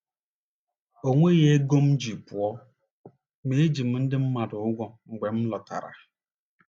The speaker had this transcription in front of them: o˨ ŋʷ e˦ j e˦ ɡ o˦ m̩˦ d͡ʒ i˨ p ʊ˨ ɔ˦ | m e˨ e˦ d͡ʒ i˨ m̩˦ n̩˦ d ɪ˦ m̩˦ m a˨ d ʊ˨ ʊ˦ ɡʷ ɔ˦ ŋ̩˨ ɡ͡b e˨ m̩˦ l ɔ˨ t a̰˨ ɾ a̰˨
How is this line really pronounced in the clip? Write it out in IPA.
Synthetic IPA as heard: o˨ ŋʷ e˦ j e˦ ɡ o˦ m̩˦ d͡ʒ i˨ p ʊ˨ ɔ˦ | m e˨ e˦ d͡ʒ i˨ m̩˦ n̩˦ d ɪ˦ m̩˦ m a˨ d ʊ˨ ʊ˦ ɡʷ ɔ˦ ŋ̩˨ ɡ͡b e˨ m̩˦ l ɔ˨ t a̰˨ ɾ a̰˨